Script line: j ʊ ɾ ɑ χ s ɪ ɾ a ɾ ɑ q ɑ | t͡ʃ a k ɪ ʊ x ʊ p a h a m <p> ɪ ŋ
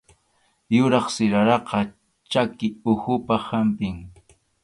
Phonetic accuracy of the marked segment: correct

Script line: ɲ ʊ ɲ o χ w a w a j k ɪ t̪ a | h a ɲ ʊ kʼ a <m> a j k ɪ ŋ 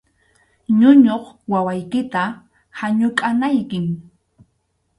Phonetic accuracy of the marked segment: incorrect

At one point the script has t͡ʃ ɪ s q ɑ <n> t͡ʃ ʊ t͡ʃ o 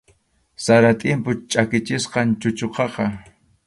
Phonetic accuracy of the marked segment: correct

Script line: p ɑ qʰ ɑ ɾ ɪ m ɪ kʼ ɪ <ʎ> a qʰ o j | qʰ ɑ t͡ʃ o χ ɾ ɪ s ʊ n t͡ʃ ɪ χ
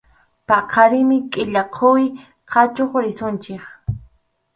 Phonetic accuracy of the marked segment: correct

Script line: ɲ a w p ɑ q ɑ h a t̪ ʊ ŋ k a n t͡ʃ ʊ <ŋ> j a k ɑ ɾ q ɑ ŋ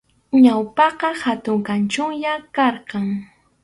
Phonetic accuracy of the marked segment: correct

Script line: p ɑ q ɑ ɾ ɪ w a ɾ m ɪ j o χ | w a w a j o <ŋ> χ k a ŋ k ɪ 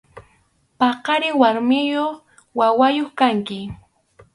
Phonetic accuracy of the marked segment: incorrect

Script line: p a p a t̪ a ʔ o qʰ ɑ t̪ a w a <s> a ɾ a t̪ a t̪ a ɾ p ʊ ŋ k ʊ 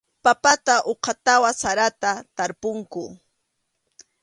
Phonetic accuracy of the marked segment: correct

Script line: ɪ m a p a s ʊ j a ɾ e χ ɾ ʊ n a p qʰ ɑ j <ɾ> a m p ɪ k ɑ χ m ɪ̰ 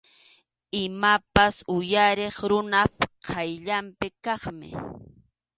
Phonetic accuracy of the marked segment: incorrect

